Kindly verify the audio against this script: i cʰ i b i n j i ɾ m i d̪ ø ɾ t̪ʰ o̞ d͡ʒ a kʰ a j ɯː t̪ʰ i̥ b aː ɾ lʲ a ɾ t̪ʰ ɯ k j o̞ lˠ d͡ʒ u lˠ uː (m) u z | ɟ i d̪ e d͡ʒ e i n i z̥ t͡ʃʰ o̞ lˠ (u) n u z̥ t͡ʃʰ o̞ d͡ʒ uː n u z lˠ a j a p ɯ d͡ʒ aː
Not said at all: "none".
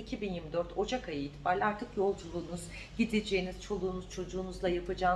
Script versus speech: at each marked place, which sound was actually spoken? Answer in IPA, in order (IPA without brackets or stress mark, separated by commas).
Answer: n, uː